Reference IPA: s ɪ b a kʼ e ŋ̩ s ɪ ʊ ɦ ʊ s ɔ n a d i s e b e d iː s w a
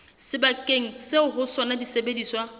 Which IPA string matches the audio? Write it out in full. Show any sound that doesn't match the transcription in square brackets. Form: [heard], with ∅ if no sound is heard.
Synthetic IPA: s ɪ b a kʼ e ŋ̩ s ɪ ʊ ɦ ʊ s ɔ n a d i s e b e d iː s w a